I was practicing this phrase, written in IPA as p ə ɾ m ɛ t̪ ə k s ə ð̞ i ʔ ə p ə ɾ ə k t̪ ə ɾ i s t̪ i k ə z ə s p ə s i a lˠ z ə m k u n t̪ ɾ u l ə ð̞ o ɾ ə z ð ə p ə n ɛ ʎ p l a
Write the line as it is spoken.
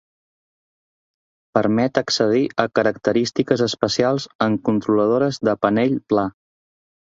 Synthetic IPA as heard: p ə ɾ m ɛ t̪ ə k s ə ð̞ i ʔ ə k ə ɾ ə k t̪ ə ɾ i s t̪ i k ə z ə s p ə s i a lˠ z ə ŋ k u n t̪ ɾ u l ə ð̞ o ɾ ə z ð ə p ə n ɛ ʎ p l a